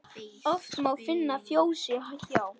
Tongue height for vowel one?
mid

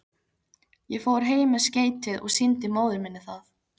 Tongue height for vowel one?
mid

